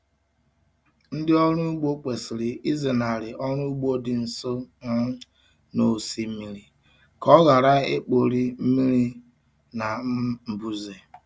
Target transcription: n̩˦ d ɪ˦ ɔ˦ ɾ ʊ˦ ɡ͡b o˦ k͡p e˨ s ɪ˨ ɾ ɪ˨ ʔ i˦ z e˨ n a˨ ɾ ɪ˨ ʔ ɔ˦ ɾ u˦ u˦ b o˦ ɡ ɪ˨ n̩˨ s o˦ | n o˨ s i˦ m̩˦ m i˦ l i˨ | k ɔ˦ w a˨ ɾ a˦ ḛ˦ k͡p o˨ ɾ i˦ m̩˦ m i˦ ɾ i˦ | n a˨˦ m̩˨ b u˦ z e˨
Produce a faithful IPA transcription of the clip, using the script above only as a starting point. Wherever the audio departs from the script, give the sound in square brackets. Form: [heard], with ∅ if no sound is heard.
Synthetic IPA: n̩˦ d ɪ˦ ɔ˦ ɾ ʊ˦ ɡ͡b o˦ k͡p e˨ s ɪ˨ ɾ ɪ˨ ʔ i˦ z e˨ n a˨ ɾ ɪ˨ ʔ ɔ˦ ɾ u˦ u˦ [ɡ͡b] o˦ [d] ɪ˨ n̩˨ s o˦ | n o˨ s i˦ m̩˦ m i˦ [ɾ] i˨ | k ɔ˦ [ɣ] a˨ ɾ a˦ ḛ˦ k͡p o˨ ɾ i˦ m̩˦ m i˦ ɾ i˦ | n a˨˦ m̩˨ b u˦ z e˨